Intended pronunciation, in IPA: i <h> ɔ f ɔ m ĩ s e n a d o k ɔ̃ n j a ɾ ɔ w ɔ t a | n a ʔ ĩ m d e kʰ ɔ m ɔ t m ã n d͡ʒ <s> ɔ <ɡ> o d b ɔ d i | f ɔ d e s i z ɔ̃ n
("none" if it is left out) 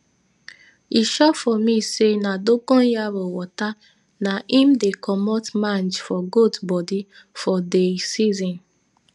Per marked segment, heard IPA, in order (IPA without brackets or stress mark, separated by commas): ʃ, f, ɡ